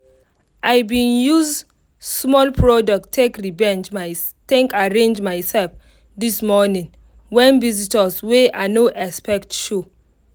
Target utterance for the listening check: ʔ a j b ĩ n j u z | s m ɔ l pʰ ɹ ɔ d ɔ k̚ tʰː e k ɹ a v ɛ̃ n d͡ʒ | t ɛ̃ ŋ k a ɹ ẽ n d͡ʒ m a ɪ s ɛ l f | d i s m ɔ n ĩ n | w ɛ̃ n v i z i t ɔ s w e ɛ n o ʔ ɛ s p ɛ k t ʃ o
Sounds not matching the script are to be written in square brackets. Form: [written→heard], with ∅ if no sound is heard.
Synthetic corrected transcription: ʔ a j b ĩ n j u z | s m ɔ l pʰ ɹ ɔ d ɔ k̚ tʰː e k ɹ [a→i] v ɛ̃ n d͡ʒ | t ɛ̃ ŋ k a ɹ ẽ n d͡ʒ m a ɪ s ɛ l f | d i s m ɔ n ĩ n | w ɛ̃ n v i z i t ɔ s w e [ɛ→a] n o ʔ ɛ s p ɛ k t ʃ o